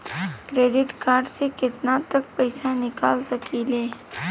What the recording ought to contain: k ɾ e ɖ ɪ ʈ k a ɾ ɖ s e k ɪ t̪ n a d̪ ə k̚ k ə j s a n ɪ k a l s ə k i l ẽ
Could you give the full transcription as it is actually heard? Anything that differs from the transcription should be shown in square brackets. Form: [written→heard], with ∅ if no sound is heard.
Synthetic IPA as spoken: k ɾ e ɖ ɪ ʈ k a ɾ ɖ s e k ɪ t̪ n a [d̪→t̪] ə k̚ [k→p] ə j s a n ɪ k a l s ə k i l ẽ